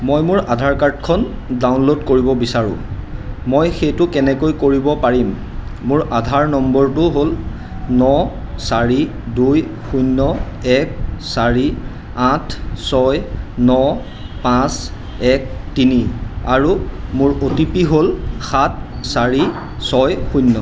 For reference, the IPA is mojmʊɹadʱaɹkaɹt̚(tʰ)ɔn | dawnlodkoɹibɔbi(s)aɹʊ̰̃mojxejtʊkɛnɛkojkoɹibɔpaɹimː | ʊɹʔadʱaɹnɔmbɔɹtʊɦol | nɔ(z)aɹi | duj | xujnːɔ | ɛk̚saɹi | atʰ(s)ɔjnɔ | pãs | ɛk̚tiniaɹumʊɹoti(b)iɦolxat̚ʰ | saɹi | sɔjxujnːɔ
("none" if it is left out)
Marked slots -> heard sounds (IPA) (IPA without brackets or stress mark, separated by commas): kʰ, s, s, s, p